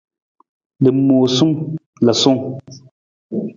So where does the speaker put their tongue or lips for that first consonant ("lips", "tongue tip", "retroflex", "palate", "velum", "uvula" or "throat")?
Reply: tongue tip